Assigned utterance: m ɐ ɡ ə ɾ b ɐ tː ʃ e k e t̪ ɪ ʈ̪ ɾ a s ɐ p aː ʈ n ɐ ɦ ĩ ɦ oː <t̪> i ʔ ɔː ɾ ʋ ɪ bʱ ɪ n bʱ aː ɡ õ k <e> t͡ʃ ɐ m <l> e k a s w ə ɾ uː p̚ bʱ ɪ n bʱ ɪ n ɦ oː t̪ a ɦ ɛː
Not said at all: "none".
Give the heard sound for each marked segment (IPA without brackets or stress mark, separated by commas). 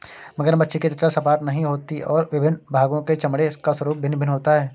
t̪, e, ɽ